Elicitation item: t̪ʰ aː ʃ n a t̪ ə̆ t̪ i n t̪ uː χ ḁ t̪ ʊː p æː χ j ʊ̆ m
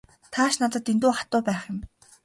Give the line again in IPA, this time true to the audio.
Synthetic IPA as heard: t̪ʰ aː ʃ n a t̪ ə̆ t̪ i n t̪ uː χ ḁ t̪ ʊː p æː χ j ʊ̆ m